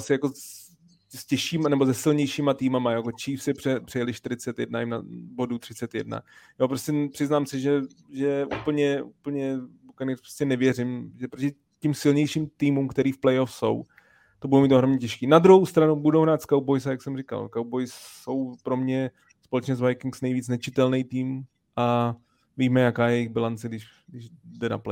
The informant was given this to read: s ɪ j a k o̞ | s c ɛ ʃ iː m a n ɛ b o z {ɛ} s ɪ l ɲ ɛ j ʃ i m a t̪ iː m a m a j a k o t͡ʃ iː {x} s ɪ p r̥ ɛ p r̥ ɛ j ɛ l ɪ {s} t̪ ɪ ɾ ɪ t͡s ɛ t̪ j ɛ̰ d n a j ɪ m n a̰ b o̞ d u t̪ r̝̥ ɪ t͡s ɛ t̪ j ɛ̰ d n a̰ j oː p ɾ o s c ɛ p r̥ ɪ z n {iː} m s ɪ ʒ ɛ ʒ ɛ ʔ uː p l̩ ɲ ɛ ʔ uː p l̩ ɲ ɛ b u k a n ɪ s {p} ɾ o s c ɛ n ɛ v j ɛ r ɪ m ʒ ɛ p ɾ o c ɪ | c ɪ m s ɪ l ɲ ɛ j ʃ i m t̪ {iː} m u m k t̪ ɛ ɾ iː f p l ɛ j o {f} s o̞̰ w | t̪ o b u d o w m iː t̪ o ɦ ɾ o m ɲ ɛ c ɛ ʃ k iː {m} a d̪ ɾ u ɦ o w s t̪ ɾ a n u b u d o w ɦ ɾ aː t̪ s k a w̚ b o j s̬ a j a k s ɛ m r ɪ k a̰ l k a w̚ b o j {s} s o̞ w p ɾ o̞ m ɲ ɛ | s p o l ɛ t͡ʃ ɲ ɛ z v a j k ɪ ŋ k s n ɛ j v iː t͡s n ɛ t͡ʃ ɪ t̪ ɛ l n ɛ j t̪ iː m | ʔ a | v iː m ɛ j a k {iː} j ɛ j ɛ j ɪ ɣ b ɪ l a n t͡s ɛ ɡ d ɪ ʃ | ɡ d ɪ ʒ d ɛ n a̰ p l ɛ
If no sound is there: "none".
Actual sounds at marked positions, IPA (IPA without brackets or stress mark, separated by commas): ɛ, f, ʃ, aː, p, iː, f, n, s, aː